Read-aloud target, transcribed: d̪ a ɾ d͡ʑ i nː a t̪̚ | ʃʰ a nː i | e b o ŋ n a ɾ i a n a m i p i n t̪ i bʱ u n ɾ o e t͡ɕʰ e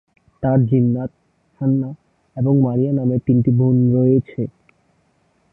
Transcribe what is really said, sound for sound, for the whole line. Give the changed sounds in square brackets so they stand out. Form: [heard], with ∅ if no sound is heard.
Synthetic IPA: [t̪] a ɾ d͡ʑ i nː a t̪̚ | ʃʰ a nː [a] | e b o ŋ [m] a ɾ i a n a m [e] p i n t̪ i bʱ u n ɾ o e t͡ɕʰ e